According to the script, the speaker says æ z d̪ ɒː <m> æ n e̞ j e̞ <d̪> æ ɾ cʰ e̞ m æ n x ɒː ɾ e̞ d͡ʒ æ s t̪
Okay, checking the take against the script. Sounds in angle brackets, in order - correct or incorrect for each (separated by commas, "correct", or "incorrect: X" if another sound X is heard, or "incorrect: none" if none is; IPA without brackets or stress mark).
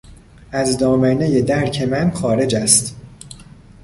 correct, correct